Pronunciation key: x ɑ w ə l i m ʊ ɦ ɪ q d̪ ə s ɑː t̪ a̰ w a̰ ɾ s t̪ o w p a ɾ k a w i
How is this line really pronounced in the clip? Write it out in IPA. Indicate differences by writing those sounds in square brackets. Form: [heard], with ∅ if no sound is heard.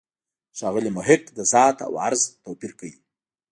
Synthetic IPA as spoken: [ʃ] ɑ [ɣ] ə l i m ʊ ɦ ɪ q d̪ ə [z] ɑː t̪ a̰ w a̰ ɾ [z] t̪ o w p [i] ɾ k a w i